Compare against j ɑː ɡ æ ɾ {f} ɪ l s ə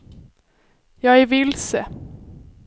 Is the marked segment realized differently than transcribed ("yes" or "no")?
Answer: yes